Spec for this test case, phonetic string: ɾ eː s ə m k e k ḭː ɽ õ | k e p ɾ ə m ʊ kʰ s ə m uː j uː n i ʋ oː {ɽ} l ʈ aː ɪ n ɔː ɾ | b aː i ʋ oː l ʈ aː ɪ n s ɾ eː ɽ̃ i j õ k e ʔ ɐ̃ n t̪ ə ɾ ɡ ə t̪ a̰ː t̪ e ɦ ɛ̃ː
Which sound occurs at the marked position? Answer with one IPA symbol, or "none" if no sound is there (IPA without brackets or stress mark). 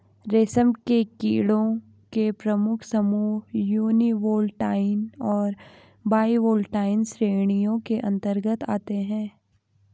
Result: none